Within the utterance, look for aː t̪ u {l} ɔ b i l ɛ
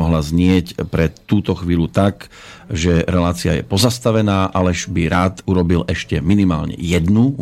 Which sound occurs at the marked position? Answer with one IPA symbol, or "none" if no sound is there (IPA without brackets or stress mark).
ɾ